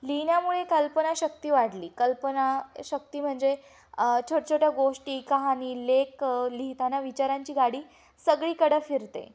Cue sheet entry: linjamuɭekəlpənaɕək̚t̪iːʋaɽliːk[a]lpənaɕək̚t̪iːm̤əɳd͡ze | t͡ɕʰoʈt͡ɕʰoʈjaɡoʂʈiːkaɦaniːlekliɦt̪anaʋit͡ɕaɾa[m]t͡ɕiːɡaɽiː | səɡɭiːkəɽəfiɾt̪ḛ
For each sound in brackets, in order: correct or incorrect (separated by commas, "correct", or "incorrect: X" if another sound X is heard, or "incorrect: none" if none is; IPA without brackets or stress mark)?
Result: incorrect: ə, incorrect: ɲ